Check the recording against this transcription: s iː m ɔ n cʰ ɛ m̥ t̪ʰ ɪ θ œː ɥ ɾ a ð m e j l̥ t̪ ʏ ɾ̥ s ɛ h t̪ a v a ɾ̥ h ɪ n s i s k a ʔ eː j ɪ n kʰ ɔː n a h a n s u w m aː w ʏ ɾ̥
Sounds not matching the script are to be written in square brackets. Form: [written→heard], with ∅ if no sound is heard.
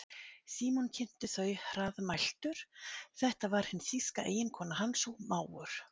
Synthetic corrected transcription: s iː m ɔ n cʰ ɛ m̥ [t̪ʰ→t̪] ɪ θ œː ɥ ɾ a ð m [e→a] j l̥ t̪ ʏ ɾ̥ [s→θ] ɛ h t̪ a v a ɾ̥ h ɪ n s i s k a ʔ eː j ɪ n kʰ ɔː n a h a n s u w m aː w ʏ ɾ̥